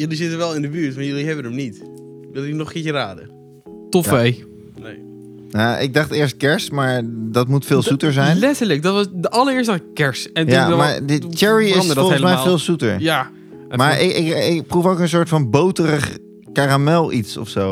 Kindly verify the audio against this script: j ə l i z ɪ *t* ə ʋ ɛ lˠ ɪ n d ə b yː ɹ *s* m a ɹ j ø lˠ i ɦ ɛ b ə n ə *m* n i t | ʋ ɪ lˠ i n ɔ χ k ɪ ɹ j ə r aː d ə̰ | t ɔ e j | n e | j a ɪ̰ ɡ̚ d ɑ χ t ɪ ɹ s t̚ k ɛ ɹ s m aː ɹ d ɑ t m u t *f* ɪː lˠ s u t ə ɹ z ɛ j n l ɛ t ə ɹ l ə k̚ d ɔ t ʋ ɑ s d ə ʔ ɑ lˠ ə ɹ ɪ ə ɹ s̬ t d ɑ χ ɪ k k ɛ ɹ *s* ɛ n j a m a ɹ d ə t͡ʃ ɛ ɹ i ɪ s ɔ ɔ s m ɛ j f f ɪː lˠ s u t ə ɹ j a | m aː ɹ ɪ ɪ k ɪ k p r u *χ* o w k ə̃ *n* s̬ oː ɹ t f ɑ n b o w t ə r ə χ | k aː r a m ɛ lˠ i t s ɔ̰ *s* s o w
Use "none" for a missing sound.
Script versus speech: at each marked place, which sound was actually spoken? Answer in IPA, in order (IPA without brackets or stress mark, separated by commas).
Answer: t, t, m, f, s, f, n, f